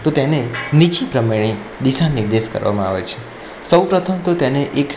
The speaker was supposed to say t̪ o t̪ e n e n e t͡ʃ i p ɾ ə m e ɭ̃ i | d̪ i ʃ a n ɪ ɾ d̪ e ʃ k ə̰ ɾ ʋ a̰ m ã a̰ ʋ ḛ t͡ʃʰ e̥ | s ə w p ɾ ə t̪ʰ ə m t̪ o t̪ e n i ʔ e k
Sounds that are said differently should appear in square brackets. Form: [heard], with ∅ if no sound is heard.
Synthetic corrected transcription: t̪ o t̪ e n e n [i] t͡ʃ i p ɾ ə m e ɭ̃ i | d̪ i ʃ a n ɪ ɾ d̪ e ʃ k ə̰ ɾ ʋ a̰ m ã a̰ ʋ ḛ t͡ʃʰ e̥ | s ə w p ɾ ə t̪ʰ ə m t̪ o t̪ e n [e] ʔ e k

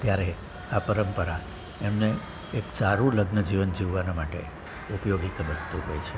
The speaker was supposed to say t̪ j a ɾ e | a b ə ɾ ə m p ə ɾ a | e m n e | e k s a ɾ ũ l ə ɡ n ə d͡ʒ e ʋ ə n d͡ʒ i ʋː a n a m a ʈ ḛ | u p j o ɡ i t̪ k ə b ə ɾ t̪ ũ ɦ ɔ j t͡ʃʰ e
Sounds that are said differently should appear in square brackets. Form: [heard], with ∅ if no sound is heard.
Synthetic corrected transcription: t̪ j a ɾ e | a [p] ə ɾ ə m p ə ɾ a | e m n e | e k s a ɾ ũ l ə ɡ n ə d͡ʒ [i] ʋ ə n d͡ʒ i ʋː a n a m a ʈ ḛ | u p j o ɡ i [∅] k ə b ə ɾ t̪ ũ ɦ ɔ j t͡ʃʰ e

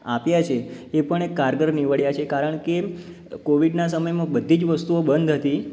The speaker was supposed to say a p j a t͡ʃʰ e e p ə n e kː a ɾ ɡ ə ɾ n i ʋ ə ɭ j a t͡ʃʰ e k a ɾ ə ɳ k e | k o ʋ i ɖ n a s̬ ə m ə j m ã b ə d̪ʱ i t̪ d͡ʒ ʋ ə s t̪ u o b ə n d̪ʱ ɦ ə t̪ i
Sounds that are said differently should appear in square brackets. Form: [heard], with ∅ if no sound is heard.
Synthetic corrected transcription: a p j a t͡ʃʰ e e p ə [ɳ] e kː a ɾ ɡ ə ɾ n i ʋ ə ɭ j a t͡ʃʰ e k a ɾ ə ɳ k e | k o ʋ i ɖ n a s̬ ə m ə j m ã b ə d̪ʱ i [∅] d͡ʒ ʋ ə s t̪ u o b ə n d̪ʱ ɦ ə t̪ i

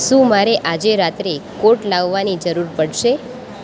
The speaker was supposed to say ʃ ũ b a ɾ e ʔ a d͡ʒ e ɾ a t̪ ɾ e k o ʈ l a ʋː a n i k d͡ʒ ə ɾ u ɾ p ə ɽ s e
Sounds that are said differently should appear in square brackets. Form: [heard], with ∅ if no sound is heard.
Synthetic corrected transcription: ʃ ũ [m] a ɾ e ʔ a d͡ʒ e ɾ a t̪ ɾ e k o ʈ l a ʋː a n i [∅] d͡ʒ ə ɾ u ɾ p ə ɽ [ʃ] e

